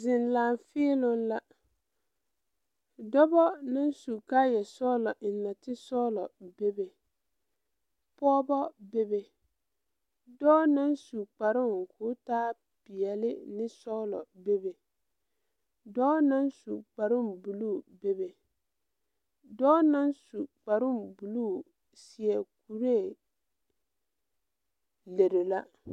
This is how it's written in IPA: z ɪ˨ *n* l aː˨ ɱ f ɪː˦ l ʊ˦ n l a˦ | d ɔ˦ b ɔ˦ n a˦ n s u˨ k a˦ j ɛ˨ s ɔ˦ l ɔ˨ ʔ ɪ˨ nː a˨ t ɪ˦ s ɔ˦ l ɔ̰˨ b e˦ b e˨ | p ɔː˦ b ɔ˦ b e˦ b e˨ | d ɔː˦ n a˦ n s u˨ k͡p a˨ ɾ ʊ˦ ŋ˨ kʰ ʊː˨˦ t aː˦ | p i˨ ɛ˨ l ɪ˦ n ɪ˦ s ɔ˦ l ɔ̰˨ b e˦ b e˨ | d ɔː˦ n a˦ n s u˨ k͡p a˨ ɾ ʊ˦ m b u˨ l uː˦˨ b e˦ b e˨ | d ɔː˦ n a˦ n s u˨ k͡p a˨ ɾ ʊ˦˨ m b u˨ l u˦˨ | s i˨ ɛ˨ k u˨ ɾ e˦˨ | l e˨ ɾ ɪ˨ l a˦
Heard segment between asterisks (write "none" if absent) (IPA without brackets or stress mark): n